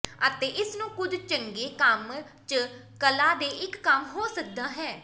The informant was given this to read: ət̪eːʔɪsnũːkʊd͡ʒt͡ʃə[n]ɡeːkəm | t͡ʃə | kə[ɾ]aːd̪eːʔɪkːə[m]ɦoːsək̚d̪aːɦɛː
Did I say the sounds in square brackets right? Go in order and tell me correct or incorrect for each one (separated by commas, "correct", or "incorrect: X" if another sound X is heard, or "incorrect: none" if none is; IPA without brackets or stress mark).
incorrect: ŋ, incorrect: l, correct